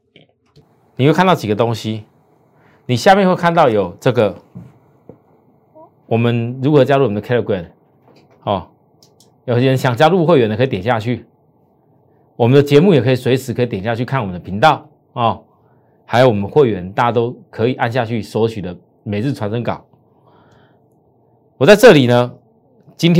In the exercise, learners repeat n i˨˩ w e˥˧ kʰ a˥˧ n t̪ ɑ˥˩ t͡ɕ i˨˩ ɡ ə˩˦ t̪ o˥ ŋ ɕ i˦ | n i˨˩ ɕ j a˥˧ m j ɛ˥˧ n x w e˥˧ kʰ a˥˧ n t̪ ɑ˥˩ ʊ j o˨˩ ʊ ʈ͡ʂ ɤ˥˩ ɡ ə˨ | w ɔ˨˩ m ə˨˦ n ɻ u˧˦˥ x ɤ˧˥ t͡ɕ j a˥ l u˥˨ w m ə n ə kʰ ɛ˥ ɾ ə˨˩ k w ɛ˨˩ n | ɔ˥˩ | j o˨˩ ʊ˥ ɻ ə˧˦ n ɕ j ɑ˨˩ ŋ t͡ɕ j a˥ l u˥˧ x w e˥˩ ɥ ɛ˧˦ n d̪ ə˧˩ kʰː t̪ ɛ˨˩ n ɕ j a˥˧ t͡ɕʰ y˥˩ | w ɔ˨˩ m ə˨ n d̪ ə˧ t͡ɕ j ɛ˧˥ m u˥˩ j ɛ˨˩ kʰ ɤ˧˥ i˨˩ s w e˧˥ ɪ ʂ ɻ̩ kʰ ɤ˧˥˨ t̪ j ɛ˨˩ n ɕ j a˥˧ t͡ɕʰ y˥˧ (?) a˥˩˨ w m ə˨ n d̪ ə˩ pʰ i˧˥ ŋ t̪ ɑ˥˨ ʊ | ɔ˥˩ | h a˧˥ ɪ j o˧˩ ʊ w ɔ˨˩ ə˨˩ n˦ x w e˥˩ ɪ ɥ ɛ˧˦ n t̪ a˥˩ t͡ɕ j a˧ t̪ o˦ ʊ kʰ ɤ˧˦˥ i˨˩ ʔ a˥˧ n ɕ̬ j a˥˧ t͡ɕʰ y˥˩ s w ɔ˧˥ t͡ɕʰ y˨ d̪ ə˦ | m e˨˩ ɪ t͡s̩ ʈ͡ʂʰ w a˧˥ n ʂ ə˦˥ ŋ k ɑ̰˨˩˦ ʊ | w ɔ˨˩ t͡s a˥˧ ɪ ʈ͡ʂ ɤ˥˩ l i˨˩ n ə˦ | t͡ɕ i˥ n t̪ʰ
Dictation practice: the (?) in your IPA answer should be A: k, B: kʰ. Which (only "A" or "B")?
B